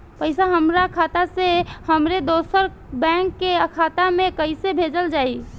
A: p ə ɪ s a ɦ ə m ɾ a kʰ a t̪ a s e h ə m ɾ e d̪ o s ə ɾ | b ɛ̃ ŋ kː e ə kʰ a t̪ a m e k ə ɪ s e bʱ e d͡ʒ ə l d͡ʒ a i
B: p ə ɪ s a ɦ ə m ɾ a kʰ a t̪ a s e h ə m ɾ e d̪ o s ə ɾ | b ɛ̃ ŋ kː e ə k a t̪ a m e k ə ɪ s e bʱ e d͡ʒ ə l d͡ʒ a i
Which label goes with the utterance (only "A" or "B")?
A